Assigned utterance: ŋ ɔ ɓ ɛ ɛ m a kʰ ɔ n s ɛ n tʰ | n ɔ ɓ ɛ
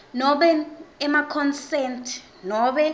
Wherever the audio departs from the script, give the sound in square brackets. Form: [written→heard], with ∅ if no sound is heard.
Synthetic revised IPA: [ŋ→n] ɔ ɓ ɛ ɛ m a kʰ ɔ n s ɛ n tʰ | n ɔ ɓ ɛ